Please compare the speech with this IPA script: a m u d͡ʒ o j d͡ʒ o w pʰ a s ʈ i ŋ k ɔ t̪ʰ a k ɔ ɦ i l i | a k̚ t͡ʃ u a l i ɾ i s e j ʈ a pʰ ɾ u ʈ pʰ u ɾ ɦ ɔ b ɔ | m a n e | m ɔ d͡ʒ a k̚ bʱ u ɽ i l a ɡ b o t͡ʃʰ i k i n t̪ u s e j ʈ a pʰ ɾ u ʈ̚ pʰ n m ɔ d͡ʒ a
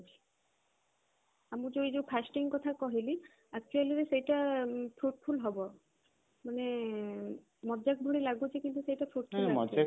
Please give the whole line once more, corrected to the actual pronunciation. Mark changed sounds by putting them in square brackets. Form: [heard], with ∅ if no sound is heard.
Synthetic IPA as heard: a m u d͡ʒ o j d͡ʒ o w pʰ a s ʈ i ŋ k ɔ t̪ʰ a k ɔ ɦ i l i | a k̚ t͡ʃ u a l i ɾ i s e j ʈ a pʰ ɾ u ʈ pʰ u [l] ɦ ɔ b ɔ | m a n e | m ɔ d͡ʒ a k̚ bʱ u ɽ i l a ɡ b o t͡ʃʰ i k i n t̪ u s e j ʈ a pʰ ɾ u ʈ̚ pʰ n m ɔ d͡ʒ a

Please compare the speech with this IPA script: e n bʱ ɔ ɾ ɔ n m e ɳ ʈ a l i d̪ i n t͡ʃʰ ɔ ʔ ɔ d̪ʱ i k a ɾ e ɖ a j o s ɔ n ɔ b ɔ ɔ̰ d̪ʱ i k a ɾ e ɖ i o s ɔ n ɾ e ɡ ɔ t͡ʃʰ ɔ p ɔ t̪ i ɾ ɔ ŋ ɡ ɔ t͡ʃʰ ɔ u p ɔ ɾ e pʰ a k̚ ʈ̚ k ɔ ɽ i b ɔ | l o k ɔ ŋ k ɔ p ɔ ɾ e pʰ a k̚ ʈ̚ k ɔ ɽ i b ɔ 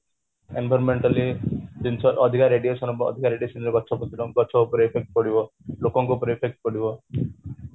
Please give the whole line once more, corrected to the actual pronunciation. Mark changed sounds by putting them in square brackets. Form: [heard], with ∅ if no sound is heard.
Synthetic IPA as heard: e n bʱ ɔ ɾ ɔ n m e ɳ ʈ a l i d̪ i n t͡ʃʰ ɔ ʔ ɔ d̪ʱ i k a ɾ e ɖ [i] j o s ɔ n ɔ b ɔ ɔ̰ d̪ʱ i k a ɾ e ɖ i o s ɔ n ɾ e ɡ ɔ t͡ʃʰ ɔ p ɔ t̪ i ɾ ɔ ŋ ɡ ɔ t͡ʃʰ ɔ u p ɔ ɾ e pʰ [e] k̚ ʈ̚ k ɔ ɽ i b ɔ | l o k ɔ ŋ k [u] p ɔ ɾ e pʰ [e] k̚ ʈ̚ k ɔ ɽ i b ɔ

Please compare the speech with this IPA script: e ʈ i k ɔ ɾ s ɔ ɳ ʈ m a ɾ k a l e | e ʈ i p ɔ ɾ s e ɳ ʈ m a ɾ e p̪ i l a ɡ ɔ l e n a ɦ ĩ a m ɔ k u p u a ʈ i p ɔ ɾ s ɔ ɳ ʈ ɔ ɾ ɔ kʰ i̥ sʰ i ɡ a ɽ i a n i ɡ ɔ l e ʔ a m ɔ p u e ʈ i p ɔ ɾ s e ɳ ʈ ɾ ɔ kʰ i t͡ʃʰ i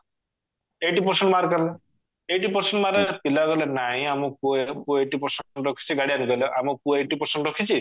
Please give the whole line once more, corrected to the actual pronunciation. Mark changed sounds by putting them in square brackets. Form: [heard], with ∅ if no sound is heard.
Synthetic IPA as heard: e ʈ i [p] ɔ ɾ s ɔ ɳ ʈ m a ɾ k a l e | e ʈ i p ɔ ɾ s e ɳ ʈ m a ɾ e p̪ i l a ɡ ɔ l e n a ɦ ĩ a m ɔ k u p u [e] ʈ i p ɔ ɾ s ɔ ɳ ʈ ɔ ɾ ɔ kʰ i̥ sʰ i ɡ a ɽ i a n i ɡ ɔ l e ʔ a m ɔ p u e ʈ i p ɔ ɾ s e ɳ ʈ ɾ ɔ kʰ i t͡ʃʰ i

